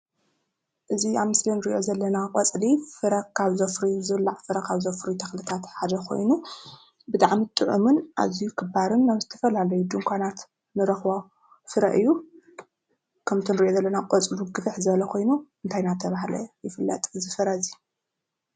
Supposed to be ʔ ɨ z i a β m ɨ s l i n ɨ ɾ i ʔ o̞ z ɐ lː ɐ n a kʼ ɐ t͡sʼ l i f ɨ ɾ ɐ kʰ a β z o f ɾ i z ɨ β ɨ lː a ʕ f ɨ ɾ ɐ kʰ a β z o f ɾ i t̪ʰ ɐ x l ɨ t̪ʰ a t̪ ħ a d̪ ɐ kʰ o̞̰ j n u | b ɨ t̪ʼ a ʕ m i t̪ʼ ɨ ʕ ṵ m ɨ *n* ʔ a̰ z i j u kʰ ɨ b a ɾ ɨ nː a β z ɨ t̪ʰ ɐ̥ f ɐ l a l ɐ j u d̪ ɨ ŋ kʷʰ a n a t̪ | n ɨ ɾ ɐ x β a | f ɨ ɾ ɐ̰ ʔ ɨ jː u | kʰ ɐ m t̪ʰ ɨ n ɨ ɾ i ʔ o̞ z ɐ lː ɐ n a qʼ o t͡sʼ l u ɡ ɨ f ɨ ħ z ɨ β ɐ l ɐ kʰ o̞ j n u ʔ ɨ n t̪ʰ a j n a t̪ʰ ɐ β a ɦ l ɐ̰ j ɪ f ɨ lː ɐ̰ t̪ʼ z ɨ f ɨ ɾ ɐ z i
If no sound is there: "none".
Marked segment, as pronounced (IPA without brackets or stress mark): n